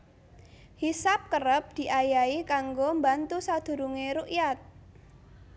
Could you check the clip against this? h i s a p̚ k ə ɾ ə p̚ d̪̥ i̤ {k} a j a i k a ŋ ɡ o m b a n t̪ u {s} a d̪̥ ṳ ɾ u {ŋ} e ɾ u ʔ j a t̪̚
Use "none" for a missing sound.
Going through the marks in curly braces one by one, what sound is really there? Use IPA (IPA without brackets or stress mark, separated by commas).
ʔ, s, ŋ